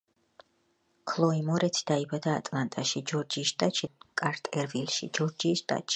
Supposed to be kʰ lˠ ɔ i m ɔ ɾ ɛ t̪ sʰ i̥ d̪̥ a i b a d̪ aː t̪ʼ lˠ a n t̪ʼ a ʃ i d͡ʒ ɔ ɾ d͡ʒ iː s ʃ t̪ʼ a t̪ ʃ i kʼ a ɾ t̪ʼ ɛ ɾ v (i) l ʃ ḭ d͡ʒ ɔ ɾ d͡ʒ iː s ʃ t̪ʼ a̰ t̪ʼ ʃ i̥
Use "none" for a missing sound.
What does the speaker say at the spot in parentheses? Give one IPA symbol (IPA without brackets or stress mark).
i